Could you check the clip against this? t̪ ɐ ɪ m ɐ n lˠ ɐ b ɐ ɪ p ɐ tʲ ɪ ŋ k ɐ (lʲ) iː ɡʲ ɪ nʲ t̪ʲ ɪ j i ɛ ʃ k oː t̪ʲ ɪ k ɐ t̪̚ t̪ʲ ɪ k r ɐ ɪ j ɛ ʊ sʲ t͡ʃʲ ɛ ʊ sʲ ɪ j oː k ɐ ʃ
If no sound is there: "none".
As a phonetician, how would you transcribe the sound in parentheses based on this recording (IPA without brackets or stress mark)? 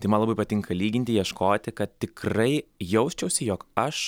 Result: lʲ